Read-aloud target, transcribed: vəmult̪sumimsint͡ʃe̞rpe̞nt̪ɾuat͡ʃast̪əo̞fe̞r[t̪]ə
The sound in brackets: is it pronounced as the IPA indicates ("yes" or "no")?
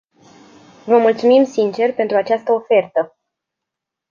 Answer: yes